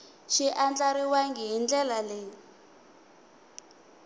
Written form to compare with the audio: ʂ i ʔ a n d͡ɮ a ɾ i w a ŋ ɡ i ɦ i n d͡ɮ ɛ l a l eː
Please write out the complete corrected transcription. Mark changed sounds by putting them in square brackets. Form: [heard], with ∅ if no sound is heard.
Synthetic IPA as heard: [ʃ] i ʔ a n d͡ɮ a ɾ i w a ŋ ɡ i ɦ i n d͡ɮ ɛ l a l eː